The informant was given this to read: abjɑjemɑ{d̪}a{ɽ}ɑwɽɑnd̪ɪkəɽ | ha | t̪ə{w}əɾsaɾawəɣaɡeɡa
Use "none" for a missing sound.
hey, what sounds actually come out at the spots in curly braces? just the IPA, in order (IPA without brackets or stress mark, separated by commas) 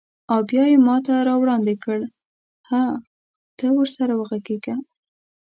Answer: t̪, ɾ, w